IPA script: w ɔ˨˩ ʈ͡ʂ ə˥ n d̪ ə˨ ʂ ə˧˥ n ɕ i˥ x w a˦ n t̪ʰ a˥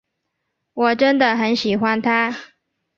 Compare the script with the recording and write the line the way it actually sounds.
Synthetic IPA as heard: w ɔ˨˩ ʈ͡ʂ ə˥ n d̪ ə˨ x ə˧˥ n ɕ i˨˩ x w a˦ n t̪ʰ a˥

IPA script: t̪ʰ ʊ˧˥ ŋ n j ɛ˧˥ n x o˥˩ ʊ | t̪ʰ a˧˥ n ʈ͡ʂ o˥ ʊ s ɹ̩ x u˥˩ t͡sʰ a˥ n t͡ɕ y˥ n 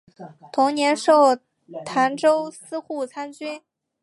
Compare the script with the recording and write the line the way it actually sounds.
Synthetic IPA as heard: t̪ʰ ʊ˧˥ ŋ n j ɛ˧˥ n ʂ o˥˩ ʊ | t̪ʰ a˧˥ n ʈ͡ʂ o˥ ʊ s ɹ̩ x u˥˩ t͡sʰ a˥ n t͡ɕ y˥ n

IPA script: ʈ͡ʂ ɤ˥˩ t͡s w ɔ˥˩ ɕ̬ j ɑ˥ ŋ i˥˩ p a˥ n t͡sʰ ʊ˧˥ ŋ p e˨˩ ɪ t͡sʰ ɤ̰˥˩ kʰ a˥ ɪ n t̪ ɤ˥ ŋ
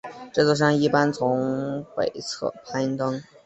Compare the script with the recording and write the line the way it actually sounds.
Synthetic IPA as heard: ʈ͡ʂ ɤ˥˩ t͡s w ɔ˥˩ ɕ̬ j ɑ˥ ŋ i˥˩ p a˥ n t͡sʰ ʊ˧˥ ŋ p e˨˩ ɪ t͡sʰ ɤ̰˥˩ pʰ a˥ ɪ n t̪ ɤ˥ ŋ

